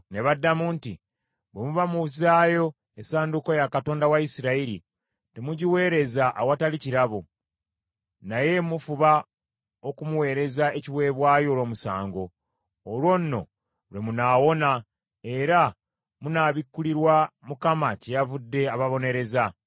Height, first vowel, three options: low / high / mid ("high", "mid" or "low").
mid